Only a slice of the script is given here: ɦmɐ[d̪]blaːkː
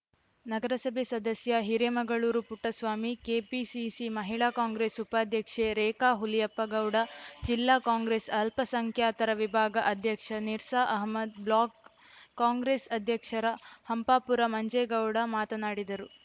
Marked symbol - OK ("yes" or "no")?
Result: yes